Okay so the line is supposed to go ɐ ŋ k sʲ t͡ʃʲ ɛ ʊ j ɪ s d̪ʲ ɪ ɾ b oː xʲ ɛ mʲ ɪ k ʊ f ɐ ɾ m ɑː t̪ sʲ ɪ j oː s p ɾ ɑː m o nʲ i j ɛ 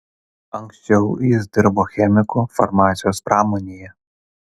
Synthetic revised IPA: ɐ ŋ k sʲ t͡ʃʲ ɛ ʊ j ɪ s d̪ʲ ɪ ɾ b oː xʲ ɛ mʲ ɪ k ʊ f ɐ ɾ m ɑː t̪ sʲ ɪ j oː s p ɾ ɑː m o nʲ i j ɛ